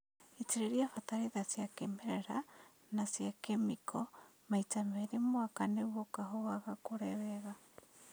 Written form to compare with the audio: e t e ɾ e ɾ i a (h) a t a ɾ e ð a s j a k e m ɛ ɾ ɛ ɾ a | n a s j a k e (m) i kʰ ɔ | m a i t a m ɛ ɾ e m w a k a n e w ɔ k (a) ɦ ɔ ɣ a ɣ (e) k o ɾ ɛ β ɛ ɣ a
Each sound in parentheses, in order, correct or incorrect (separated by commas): incorrect, correct, correct, incorrect